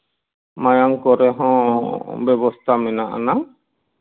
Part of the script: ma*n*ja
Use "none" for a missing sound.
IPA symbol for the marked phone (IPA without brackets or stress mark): none